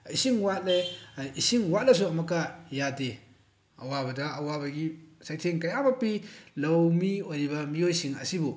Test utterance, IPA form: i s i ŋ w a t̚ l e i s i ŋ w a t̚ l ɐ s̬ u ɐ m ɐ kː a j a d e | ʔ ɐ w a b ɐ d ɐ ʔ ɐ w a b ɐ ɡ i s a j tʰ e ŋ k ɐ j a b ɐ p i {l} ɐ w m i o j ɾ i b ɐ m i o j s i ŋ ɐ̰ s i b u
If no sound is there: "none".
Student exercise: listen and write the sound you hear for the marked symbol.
l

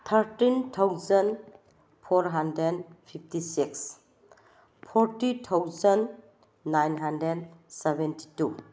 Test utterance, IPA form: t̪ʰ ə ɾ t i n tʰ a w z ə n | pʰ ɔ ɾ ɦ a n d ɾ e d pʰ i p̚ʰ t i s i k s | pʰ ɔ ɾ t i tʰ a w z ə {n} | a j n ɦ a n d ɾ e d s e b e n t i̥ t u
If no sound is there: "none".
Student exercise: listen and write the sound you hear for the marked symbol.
nː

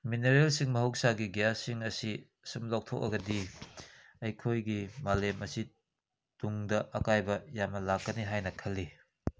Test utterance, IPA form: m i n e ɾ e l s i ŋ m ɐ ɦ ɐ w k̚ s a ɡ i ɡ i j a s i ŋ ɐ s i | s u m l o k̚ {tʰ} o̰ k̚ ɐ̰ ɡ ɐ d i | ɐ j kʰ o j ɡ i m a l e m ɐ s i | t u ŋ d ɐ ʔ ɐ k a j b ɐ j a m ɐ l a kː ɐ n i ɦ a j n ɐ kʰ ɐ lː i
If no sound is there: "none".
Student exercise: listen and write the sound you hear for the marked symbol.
tʰ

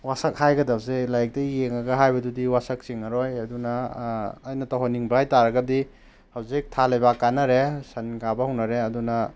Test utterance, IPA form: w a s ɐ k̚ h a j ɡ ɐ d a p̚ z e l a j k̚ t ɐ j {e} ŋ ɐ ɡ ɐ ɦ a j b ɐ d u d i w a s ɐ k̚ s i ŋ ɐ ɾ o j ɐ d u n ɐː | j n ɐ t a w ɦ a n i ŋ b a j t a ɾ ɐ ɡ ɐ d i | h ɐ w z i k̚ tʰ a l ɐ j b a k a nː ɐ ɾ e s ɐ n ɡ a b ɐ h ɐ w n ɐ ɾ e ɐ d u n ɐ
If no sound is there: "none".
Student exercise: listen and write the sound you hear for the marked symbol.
e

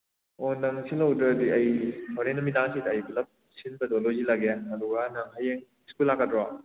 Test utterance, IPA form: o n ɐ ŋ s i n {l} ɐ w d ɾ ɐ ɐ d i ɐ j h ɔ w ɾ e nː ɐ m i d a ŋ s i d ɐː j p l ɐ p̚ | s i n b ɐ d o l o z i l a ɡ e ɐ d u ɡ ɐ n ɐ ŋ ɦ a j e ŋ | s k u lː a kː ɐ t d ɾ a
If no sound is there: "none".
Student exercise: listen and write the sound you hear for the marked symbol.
l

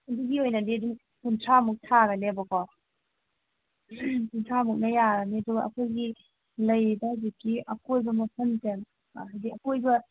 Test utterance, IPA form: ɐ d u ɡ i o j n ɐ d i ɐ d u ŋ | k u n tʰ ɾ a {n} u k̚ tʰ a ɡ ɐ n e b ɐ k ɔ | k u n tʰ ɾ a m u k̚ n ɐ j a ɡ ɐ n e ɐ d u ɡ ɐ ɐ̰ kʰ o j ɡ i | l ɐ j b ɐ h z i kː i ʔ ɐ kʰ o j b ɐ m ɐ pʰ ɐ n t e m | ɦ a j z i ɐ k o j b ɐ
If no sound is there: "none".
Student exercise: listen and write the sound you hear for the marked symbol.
m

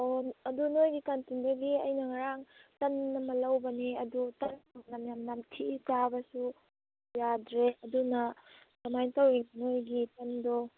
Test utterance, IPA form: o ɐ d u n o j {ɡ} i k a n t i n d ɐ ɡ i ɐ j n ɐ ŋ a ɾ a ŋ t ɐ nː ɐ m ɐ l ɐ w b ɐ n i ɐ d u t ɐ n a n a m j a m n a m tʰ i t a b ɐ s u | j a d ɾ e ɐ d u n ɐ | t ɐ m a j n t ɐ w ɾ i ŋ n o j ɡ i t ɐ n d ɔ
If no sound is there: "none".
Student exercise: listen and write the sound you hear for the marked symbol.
ɡ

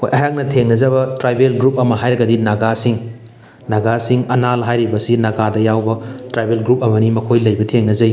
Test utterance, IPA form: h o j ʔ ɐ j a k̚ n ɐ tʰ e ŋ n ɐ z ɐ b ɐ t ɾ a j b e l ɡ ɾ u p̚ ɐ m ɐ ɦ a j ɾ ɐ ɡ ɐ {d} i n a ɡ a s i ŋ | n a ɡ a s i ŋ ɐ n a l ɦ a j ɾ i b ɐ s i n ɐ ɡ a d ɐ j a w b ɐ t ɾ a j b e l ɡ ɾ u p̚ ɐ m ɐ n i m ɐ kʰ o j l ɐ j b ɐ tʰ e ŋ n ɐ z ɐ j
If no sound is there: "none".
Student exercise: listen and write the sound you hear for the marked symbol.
d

